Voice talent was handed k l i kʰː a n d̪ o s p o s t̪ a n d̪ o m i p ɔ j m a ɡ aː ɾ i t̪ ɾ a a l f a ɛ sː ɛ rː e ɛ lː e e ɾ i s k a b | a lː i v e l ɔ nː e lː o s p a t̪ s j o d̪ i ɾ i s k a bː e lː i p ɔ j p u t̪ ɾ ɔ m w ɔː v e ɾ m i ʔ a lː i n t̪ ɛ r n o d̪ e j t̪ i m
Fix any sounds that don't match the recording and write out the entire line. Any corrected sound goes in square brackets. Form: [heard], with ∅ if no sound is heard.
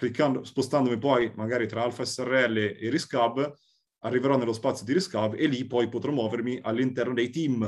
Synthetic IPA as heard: k l i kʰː a n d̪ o s p o s t̪ a n d̪ o m i p ɔ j m a ɡ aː ɾ i t̪ ɾ a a l f a ɛ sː ɛ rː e ɛ lː e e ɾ i s k a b | a [rː] i v e [ɾ] ɔ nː e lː o s p a t̪ s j o d̪ i ɾ i s k a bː e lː i p ɔ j p [o] t̪ ɾ ɔ m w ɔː v e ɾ m i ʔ a lː i n t̪ ɛ r n o d̪ e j t̪ i m